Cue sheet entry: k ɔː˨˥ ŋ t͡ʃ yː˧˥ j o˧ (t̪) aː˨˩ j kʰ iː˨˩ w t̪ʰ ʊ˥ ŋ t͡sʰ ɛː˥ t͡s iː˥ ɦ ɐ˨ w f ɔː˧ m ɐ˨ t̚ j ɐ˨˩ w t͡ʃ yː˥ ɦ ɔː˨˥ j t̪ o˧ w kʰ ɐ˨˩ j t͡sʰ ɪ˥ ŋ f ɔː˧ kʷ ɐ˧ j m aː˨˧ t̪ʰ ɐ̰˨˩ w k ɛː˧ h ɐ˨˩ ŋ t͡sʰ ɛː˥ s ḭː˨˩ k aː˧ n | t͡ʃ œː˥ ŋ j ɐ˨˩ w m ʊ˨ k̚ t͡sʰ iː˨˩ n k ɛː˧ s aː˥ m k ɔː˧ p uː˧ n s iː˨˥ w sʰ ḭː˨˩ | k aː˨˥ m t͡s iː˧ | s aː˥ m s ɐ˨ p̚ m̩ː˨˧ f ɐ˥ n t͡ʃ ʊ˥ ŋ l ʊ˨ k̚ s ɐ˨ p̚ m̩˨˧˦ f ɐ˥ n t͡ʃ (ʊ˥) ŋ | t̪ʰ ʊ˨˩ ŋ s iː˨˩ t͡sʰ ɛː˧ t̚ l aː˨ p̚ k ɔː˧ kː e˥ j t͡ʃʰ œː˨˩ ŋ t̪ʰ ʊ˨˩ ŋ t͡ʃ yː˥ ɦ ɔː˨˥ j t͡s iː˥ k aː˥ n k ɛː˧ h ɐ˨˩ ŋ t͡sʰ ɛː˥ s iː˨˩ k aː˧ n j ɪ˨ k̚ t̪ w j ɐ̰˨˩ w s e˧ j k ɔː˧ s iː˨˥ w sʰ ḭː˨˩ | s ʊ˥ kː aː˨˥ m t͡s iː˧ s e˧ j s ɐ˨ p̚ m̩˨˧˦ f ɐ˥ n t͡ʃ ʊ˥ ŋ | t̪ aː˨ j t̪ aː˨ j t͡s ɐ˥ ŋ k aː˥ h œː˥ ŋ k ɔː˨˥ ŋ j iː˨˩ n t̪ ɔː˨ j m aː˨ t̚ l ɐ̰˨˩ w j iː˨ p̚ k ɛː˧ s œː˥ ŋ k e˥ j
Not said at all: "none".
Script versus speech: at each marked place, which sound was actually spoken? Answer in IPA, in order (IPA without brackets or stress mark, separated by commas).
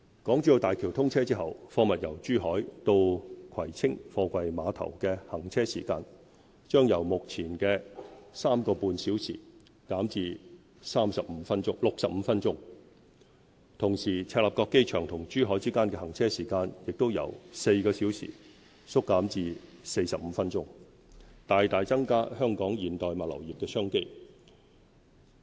t̪, ʊ˥